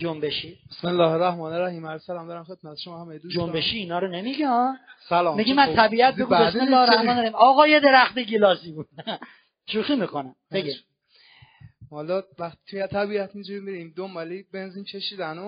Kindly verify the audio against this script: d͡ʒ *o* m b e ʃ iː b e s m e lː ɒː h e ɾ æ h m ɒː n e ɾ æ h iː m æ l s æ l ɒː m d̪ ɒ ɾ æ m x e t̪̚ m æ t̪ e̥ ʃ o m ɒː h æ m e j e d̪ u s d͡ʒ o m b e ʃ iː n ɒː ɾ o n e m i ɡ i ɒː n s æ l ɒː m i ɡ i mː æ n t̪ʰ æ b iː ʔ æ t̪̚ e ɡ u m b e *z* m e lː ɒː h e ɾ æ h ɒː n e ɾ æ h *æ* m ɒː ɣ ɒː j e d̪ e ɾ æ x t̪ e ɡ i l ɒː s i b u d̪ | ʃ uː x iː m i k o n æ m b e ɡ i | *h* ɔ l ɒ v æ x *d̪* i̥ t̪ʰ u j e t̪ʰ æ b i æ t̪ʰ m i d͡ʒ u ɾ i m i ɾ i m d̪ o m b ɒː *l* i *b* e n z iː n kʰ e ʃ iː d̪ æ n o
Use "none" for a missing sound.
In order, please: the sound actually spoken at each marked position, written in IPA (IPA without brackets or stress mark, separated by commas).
o, s, i, h, t̪, l, b